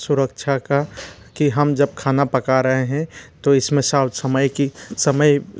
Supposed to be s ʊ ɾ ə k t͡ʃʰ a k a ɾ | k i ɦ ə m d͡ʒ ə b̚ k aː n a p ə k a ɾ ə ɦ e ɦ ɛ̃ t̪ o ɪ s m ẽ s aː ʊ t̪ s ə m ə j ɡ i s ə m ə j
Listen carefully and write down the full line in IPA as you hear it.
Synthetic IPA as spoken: s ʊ ɾ ə k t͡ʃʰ a k a | k i ɦ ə m d͡ʒ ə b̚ kʰ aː n a p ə k a ɾ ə ɦ e ɦ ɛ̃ t̪ o ɪ s m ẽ s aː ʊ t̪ s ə m ə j k i s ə m ə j